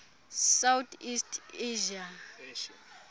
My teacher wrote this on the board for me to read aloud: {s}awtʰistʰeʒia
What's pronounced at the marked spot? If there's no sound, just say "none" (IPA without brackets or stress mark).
s